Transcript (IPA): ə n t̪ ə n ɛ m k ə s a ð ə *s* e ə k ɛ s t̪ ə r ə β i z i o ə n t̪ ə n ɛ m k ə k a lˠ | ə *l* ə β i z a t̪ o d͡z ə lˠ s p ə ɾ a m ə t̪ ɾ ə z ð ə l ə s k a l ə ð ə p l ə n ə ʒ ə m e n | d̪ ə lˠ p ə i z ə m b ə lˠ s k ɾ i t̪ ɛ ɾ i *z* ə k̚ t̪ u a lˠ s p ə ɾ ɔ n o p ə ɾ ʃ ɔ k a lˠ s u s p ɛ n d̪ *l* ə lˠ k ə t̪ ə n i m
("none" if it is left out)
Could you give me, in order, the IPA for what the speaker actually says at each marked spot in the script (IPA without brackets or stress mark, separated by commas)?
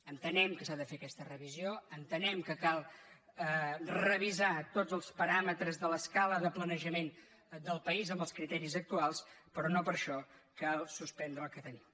f, r, z, ɾ